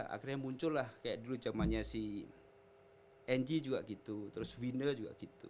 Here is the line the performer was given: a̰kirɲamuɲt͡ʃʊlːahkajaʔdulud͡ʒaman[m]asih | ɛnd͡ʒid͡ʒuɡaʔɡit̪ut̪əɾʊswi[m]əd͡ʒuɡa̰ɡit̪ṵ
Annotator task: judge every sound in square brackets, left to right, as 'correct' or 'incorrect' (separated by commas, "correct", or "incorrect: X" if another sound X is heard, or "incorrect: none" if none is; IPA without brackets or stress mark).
incorrect: ɲ, incorrect: n